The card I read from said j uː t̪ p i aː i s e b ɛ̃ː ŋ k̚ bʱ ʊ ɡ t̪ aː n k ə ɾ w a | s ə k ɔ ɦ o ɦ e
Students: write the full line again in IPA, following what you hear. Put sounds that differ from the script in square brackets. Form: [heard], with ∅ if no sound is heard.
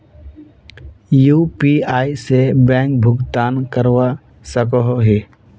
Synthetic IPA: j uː [∅] p i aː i s e b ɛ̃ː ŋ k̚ bʱ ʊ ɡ t̪ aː n k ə ɾ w a | s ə k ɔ ɦ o ɦ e